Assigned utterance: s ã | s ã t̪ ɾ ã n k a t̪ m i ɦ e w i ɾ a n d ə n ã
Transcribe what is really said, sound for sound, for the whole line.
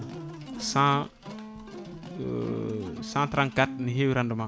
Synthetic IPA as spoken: s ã | s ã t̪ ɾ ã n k a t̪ n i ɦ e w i ɾ a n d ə m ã